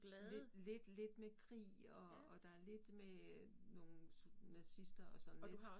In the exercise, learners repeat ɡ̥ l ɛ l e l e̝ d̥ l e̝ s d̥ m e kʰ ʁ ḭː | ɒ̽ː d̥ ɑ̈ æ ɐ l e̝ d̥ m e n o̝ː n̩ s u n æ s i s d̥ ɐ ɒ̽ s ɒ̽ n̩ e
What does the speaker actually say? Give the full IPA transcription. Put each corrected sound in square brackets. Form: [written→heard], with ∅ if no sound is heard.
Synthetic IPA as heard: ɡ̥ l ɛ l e l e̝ d̥ l e̝ [s→∅] d̥ m e kʰ ʁ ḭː | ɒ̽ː d̥ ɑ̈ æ ɐ l e̝ d̥ m e n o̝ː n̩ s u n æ s i s d̥ ɐ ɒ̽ s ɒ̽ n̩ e